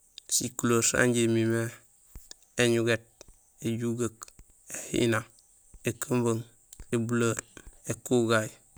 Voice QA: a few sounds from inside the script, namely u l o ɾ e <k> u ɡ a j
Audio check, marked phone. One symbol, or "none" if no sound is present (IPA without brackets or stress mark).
k